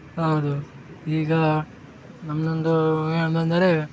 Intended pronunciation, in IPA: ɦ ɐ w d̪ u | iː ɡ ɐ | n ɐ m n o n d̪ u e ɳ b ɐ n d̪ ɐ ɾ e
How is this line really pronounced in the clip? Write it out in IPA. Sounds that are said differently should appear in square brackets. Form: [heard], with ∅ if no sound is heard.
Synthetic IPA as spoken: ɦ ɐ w d̪ u | iː ɡ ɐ | n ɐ m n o n d̪ u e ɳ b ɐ n d̪ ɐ ɾ e